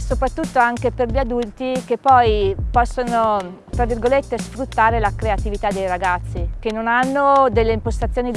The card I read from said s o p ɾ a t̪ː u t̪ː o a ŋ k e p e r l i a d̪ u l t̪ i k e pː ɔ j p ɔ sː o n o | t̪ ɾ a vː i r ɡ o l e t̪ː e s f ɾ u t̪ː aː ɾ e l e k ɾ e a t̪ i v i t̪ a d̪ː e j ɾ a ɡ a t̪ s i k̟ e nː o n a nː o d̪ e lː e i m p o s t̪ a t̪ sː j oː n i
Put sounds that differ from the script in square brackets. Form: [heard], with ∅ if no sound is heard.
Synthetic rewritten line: s o p ɾ a t̪ː u t̪ː o a ŋ k e p e r [ʎ] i a d̪ u l t̪ i k e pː ɔ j p ɔ sː o n o | t̪ ɾ a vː i r ɡ o l e t̪ː e s f ɾ u t̪ː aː ɾ e l [a] k ɾ e a t̪ i v i t̪ a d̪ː e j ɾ a ɡ a t̪ [sː] i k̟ e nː o n a nː o d̪ e lː e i m p o s t̪ a t̪ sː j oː n i